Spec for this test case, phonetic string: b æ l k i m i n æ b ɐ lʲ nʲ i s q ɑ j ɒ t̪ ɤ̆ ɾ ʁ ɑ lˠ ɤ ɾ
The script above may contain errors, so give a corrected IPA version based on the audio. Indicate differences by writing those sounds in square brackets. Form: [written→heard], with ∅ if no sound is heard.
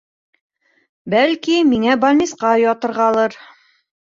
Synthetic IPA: b æ l k i m i [n→ŋ] æ b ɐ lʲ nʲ i s q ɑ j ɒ t̪ ɤ̆ ɾ ʁ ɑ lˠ ɤ ɾ